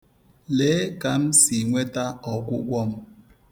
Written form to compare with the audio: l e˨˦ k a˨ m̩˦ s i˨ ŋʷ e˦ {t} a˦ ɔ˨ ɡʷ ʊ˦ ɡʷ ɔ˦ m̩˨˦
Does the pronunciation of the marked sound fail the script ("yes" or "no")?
no